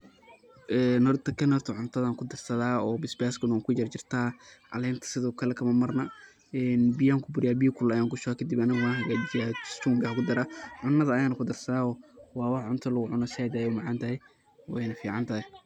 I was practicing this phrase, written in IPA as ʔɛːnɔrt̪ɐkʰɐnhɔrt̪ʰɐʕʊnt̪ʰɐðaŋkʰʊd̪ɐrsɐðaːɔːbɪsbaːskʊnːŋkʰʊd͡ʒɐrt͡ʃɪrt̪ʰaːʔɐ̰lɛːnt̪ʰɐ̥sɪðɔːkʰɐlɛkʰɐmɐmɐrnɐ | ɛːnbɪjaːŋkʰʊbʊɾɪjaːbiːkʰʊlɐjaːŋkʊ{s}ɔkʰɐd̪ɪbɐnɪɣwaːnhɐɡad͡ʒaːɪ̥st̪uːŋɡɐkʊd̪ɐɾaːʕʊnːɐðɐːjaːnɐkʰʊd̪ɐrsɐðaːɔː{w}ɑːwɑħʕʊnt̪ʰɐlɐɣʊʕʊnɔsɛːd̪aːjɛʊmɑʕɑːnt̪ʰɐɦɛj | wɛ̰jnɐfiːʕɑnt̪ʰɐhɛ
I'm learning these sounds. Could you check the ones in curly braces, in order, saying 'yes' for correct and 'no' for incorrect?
no, yes

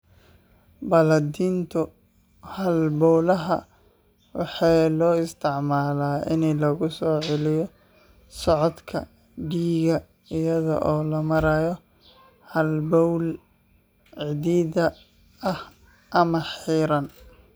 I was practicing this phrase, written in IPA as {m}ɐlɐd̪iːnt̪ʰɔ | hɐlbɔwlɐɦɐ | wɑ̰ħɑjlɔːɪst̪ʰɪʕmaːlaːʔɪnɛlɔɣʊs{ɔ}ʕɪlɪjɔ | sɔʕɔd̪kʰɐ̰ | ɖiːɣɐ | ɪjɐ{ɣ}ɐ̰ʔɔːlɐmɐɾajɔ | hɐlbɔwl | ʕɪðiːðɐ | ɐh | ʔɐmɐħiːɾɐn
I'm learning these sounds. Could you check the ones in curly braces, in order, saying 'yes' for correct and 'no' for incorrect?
no, no, no

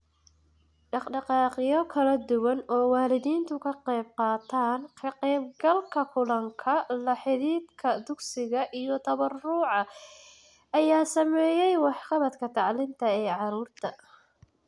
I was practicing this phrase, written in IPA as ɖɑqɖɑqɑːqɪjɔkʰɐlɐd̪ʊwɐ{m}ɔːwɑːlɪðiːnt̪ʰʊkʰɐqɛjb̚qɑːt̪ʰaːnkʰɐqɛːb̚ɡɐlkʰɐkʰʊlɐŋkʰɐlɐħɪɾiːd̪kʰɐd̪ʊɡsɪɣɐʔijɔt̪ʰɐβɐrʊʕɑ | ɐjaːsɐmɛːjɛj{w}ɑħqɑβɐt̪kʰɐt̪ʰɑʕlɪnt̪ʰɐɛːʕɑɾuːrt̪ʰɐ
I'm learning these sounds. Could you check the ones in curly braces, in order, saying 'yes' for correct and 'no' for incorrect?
no, yes

